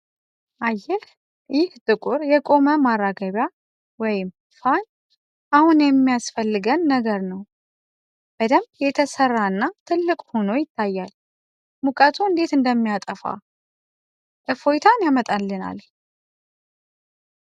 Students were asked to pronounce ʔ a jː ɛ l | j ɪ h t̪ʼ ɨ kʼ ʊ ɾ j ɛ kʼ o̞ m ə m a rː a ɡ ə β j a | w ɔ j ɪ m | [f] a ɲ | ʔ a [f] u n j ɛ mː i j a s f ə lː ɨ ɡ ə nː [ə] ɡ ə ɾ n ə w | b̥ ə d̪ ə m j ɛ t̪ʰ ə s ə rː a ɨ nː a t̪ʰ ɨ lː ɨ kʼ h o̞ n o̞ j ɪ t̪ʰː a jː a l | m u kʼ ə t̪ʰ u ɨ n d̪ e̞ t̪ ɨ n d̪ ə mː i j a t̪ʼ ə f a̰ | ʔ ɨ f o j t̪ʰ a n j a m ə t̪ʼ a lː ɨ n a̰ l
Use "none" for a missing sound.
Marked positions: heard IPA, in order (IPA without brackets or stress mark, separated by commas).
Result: f, h, ə